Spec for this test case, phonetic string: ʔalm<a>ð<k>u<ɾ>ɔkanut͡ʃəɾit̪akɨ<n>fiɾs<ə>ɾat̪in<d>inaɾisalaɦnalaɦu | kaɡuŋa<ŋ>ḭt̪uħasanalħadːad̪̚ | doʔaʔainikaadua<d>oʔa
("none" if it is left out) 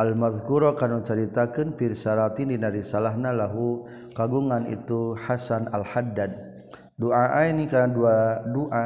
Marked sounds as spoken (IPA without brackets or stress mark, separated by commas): a, k, ɾ, n, a, d, n, d